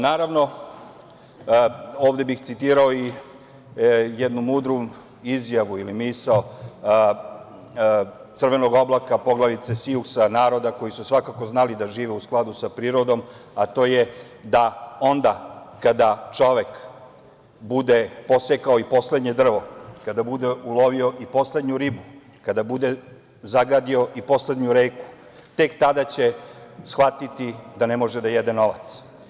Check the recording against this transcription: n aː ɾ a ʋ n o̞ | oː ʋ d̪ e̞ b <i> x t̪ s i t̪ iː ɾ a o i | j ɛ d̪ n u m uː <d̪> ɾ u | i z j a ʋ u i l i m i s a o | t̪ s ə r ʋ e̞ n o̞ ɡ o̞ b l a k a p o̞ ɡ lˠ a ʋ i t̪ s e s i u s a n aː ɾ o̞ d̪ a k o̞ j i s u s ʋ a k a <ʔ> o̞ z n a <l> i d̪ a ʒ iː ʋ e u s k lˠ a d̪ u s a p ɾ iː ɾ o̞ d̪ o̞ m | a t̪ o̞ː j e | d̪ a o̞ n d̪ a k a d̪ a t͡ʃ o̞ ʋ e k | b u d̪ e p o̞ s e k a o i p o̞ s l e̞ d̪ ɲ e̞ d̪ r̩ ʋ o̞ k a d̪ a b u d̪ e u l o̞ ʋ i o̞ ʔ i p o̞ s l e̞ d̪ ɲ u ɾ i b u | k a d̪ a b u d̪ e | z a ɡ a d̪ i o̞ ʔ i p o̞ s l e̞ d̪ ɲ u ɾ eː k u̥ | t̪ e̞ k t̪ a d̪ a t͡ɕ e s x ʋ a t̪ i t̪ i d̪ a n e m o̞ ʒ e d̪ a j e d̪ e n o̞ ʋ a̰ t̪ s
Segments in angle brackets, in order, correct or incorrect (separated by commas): correct, correct, incorrect, correct